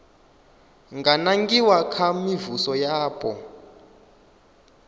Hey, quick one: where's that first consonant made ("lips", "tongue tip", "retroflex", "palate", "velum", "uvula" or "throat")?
velum